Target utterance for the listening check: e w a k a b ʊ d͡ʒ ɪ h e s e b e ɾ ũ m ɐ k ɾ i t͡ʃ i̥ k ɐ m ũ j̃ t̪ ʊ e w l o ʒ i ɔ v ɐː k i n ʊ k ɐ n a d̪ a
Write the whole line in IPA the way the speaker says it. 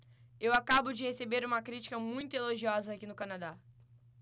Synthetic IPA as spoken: e w a k a b ʊ d͡ʒ ɪ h e s e b e ɾ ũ m ɐ k ɾ i t͡ʃ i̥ k ɐ m ũ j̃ t̪ ʊ e l o ʒ i ɔ z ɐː k i n ʊ k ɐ n a d̪ a